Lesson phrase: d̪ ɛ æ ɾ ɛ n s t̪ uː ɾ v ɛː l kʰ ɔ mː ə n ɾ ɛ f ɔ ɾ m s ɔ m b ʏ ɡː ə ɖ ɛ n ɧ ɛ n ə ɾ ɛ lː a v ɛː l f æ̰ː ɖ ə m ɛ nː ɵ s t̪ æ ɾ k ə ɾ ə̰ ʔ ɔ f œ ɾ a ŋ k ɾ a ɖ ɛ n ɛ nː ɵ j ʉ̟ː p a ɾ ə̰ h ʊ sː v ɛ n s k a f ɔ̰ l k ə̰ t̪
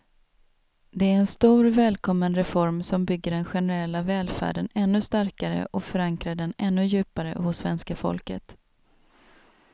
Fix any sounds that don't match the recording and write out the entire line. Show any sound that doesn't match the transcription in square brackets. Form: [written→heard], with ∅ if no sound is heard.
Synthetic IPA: d̪ ɛ æ ɾ ɛ n s t̪ uː ɾ v ɛː l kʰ ɔ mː ə n ɾ ɛ f ɔ ɾ m s ɔ m b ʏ ɡː ə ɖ ɛ n ɧ ɛ n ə ɾ ɛ lː a v ɛː l f æ̰ː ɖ ə [m→n] ɛ nː ɵ s t̪ [æ→a] ɾ k [ə→a] ɾ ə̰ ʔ ɔ f œ ɾ a ŋ k ɾ a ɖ ɛ n ɛ nː ɵ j ʉ̟ː p a ɾ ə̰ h ʊ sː v ɛ n s k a f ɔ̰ l k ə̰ t̪